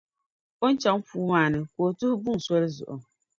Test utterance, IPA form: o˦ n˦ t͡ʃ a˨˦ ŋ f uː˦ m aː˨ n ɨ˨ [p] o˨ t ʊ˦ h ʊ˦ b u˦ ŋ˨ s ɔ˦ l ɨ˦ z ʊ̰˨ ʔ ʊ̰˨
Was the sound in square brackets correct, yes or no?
no